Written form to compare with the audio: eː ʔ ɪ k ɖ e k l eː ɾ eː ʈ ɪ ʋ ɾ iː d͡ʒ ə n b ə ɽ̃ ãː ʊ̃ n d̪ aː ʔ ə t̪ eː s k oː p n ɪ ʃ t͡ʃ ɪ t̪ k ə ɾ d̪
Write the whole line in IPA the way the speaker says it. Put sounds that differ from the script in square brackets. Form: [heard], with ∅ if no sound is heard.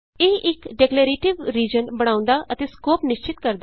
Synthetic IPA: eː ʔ ɪ k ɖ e k l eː ɾ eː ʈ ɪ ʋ ɾ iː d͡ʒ ə n b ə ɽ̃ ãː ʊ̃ n d̪ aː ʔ ə t̪ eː s k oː p n ɪ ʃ t͡ʃ ɪ t̪ k ə ɾ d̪

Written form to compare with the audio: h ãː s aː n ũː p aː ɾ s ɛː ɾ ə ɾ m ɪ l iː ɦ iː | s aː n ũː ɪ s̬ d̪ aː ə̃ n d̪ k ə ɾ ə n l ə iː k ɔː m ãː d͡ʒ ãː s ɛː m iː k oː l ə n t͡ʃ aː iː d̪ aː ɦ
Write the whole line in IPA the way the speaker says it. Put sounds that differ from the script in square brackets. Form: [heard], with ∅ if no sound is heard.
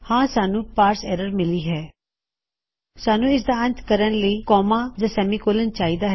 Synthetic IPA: h ãː s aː n ũː p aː ɾ s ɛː ɾ ə ɾ m ɪ l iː ɦ [ɛː] | s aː n ũː ɪ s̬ d̪ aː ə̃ n [t̪] k ə ɾ ə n l ə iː k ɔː m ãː d͡ʒ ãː s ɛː m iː k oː l ə n t͡ʃ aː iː d̪ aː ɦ

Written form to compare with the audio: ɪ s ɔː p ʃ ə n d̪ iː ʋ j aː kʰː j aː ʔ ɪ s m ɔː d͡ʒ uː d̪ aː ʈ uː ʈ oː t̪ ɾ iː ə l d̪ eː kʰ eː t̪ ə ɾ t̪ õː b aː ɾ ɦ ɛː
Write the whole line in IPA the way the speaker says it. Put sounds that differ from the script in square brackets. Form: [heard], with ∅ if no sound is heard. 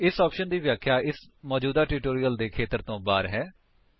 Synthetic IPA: ɪ s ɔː p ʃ ə n d̪ iː ʋ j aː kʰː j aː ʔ ɪ s m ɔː d͡ʒ uː d̪ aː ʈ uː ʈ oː [∅] ɾ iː ə l d̪ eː kʰ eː t̪ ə ɾ t̪ õː b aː ɾ ɦ ɛː

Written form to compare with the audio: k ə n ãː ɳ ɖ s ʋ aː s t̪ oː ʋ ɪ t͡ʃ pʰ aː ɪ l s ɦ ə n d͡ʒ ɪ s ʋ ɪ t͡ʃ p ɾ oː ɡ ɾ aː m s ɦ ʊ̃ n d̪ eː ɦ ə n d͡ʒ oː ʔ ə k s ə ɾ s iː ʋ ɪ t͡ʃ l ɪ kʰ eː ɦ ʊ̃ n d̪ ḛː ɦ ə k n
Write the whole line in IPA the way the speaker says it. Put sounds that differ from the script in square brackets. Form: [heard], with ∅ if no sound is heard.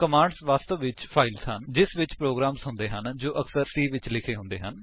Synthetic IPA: k ə [m] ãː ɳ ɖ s ʋ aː s t̪ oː ʋ ɪ t͡ʃ pʰ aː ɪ l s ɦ ə n d͡ʒ ɪ s ʋ ɪ t͡ʃ p ɾ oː ɡ ɾ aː m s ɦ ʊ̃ n d̪ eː ɦ ə n d͡ʒ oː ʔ ə k s ə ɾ s iː ʋ ɪ t͡ʃ l ɪ kʰ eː ɦ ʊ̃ n d̪ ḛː ɦ ə [∅] n

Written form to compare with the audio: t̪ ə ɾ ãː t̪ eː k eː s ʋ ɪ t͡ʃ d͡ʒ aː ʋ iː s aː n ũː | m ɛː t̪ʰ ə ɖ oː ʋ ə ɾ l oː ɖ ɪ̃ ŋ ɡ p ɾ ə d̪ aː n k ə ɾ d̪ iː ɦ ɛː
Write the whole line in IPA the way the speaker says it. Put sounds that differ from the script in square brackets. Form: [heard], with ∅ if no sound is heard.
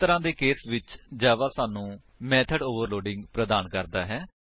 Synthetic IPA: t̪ ə ɾ ãː [d̪] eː k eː s ʋ ɪ t͡ʃ d͡ʒ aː ʋ [aː] s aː n ũː | m ɛː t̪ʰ ə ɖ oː ʋ ə ɾ l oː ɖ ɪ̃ ŋ ɡ p ɾ ə d̪ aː n k ə ɾ d̪ [aː] ɦ ɛː

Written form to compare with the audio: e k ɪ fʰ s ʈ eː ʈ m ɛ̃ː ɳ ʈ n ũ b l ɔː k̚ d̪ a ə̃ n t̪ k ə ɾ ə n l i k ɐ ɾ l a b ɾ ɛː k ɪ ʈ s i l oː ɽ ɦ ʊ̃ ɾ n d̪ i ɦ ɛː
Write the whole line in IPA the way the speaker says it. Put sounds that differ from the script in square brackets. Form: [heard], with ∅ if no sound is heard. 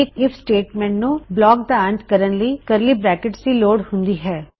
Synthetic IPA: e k ɪ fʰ s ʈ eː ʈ m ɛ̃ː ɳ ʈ n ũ b l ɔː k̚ d̪ a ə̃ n t̪ k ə ɾ ə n l i k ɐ ɾ l [i] b ɾ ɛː k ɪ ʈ s i l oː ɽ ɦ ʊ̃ [∅] n d̪ i ɦ ɛː

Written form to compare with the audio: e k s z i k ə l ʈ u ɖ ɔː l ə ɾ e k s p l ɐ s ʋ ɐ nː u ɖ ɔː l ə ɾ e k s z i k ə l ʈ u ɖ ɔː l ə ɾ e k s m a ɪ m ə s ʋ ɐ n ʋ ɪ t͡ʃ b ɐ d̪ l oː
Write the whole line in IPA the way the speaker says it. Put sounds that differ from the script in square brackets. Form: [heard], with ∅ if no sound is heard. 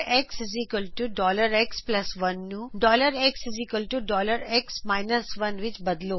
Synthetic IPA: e k s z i k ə l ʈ u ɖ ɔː l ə ɾ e k s p l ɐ s ʋ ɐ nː u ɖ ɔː l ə ɾ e k s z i k ə l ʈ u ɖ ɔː l ə ɾ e k s m a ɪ [n] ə s ʋ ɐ n ʋ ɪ t͡ʃ b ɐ d̪ l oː

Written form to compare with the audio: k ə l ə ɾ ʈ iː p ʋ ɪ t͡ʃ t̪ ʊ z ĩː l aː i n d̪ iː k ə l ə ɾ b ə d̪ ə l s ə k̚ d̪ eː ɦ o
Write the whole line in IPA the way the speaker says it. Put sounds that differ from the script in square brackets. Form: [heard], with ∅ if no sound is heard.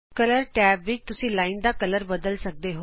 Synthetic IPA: k ə l ə ɾ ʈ [ɛː] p ʋ ɪ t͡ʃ t̪ ʊ [s] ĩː l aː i n d̪ [aː] k ə l ə ɾ b ə d̪ ə l s ə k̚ d̪ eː ɦ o

